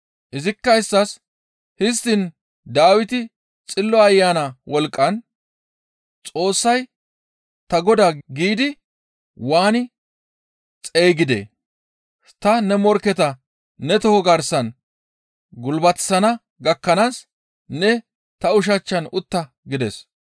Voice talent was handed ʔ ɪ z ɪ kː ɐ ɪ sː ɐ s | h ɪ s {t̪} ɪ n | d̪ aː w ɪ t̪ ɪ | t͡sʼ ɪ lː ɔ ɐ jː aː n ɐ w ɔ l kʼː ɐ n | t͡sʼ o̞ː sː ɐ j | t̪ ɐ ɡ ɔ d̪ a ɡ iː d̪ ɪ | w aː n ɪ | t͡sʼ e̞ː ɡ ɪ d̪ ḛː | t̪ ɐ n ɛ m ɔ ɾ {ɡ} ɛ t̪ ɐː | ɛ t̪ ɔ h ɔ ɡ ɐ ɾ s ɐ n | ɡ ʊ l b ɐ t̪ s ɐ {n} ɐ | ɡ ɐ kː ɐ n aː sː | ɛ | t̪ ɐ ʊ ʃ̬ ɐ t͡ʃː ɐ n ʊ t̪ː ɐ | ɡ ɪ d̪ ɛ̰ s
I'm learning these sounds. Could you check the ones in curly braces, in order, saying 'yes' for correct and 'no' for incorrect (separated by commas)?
yes, no, yes